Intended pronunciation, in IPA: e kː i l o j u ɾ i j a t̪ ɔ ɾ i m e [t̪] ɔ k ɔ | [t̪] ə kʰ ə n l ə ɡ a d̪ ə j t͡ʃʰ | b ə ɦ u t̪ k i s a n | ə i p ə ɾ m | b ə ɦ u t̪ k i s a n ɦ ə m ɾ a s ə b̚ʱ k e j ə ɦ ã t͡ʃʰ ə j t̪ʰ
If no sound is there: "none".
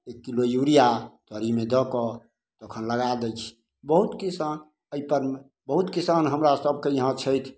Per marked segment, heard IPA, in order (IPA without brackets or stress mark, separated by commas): d̪, t̪